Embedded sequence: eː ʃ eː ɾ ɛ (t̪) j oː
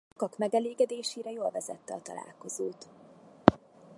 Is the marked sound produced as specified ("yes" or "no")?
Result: no